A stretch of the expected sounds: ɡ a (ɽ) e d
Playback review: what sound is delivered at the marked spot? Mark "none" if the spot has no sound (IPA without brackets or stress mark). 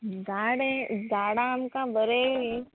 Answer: ɽ